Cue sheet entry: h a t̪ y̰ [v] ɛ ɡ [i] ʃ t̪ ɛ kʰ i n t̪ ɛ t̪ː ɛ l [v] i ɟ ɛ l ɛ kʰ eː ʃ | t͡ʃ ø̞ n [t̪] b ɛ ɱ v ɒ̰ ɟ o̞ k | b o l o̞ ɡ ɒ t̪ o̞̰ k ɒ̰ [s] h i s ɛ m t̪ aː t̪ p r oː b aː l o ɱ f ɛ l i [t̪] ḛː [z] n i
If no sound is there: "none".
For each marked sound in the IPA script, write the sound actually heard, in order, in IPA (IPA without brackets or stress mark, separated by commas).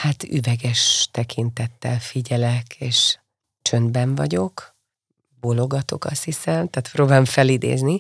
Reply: v, ɛ, f, d̪, s, d̪, z